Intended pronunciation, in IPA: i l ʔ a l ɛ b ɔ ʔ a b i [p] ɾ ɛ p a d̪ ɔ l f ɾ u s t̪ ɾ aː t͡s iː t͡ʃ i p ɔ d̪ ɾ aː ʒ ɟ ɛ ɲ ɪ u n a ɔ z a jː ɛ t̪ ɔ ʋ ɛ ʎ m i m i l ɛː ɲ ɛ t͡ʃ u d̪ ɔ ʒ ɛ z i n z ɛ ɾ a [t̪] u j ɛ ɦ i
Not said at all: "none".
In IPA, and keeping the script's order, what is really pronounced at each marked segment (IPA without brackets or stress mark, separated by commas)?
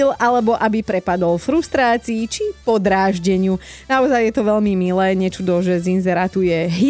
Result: p, t̪